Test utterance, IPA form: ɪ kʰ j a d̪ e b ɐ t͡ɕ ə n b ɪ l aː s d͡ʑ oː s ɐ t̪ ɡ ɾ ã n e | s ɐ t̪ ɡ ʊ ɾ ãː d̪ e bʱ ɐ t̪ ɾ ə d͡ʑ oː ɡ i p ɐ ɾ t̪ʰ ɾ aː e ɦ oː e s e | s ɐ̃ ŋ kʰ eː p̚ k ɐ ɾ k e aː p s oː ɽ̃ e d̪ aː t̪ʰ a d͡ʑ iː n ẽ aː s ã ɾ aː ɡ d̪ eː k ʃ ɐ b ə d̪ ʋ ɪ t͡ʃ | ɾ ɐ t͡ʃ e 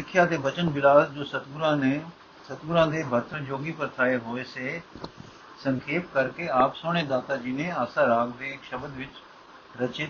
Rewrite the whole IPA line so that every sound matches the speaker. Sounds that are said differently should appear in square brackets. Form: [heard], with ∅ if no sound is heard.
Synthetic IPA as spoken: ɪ kʰ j a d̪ e b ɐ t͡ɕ ə n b ɪ l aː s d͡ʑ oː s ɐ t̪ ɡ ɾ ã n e | s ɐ t̪ ɡ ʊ ɾ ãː d̪ e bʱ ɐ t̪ ɾ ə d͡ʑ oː ɡ i p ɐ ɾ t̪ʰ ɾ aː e ɦ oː e s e | s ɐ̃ ŋ kʰ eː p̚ k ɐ ɾ k e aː p s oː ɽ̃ e d̪ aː [t̪] a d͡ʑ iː n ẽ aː s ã ɾ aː ɡ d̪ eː k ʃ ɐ b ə d̪ ʋ ɪ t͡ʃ | ɾ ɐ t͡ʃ e